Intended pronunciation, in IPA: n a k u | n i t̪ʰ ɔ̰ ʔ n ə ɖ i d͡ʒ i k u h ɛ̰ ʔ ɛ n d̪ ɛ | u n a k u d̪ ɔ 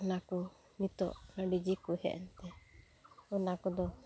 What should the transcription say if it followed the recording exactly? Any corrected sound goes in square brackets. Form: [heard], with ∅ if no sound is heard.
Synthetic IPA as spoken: n a k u | n i [t̪] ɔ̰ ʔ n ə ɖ i d͡ʒ i k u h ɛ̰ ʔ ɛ n [t̪] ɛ | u n a k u d̪ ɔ

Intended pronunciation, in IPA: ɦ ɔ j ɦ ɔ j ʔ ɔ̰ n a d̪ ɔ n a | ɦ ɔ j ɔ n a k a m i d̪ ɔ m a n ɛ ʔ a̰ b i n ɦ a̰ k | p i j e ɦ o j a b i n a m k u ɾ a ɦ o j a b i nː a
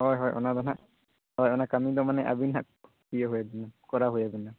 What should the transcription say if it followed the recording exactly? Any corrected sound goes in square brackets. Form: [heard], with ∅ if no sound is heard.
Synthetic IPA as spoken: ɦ ɔ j ɦ ɔ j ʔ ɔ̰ n a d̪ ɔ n a | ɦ ɔ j ɔ n a k a m i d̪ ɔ m a n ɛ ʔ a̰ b i n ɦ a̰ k | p i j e ɦ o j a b i n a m k [ɔ] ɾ a ɦ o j a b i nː a

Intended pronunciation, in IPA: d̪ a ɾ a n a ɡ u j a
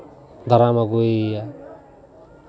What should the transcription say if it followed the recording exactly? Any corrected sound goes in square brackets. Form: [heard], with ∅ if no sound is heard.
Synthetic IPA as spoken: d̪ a ɾ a [m] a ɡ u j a

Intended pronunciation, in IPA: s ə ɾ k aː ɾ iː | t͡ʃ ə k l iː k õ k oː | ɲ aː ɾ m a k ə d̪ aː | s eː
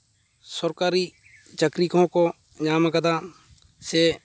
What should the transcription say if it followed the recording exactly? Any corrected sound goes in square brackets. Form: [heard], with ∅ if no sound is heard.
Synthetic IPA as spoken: s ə ɾ k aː ɾ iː | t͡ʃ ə k [ɾ] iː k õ k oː | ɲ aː [∅] m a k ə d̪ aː | s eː

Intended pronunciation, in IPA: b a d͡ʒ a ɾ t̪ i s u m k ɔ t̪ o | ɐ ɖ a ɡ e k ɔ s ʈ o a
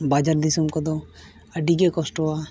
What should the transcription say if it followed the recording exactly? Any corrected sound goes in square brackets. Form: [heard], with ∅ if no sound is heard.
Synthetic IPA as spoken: b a d͡ʒ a ɾ [d̪] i s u m k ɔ [d̪] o | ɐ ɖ [i] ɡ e k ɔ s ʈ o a

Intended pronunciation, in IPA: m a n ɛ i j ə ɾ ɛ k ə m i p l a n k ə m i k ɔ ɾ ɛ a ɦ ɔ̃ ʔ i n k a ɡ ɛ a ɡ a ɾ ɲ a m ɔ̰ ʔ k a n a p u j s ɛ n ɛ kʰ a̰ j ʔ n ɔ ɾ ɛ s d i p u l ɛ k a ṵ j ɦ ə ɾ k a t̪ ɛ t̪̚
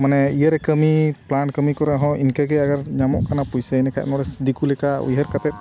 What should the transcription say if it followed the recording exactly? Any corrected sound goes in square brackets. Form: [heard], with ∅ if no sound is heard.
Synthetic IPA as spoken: m a n ɛ i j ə ɾ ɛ k ə m i p l a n k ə m i k ɔ ɾ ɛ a ɦ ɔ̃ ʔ i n k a ɡ ɛ a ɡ a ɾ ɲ a m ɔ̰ ʔ k a n a p u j s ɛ n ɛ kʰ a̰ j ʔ n ɔ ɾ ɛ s d i [k] u l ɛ k a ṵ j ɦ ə ɾ k a t̪ ɛ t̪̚

